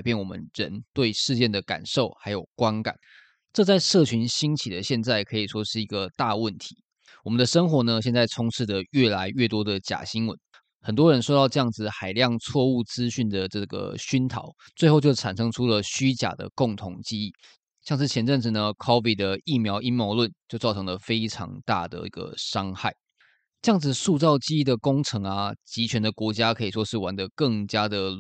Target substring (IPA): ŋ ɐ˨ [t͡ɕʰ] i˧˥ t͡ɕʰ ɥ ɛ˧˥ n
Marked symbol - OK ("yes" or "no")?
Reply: no